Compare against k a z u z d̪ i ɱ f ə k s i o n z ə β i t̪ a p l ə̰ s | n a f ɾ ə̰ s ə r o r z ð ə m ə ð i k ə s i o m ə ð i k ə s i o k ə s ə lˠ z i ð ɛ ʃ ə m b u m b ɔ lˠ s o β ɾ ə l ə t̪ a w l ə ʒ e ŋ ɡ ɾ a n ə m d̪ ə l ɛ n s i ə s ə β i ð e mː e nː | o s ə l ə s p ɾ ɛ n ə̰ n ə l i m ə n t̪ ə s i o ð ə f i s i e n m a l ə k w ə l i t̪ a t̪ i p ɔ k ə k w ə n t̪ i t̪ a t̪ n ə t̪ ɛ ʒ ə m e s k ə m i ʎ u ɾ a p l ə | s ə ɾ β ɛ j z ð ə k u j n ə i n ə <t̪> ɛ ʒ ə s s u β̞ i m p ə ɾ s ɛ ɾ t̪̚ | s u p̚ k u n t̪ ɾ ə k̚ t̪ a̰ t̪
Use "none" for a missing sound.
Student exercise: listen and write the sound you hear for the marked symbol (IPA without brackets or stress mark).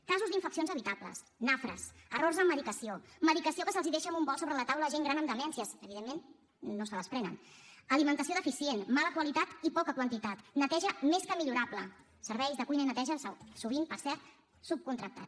t̪